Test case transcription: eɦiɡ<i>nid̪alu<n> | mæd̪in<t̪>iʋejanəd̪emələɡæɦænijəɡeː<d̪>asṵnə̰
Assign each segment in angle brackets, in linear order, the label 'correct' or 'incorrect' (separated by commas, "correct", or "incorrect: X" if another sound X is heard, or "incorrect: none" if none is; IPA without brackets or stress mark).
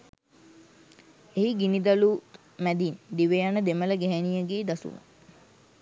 correct, incorrect: none, incorrect: d̪, correct